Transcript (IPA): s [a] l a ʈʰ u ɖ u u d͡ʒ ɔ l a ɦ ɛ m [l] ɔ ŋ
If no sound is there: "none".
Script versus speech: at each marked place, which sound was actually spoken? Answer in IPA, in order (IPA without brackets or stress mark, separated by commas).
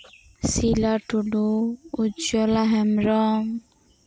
i, ɾ